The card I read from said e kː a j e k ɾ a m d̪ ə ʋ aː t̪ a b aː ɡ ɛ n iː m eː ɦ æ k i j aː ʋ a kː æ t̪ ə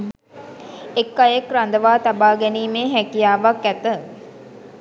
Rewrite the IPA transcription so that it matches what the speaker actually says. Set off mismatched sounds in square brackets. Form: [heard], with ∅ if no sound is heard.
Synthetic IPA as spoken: e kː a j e k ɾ a [n] d̪ ə ʋ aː t̪ a b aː ɡ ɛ n iː m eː ɦ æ k i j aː ʋ a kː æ t̪ ə